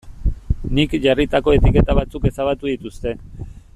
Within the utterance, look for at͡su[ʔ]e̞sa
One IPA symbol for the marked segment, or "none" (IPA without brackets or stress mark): k